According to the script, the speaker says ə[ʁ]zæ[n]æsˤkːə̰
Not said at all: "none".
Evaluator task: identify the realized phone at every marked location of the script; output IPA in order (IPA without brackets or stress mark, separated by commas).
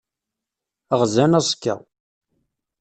ʁ, n